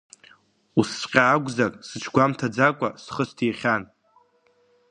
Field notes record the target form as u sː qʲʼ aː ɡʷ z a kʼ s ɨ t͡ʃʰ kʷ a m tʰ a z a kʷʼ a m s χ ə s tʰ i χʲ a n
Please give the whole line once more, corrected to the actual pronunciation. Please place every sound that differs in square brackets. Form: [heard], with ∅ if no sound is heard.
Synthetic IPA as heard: u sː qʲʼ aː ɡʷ z a kʼ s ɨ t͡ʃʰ [ɡʷ] a m tʰ a [d͡z] a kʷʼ a [∅] s χ ə s tʰ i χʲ a n